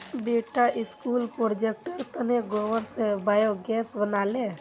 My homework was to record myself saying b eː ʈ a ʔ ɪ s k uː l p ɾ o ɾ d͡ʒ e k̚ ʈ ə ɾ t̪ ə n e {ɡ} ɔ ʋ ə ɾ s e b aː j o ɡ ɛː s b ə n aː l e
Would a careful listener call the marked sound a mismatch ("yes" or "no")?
no